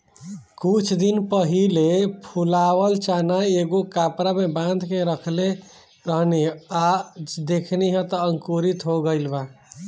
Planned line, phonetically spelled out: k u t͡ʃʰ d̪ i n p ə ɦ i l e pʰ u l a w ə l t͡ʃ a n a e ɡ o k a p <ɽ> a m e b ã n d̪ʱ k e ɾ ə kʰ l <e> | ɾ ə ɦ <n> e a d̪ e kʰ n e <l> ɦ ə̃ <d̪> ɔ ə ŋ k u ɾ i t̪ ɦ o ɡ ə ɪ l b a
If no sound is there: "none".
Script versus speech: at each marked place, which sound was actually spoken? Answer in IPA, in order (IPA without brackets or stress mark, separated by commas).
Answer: ɾ, e, n, none, t̪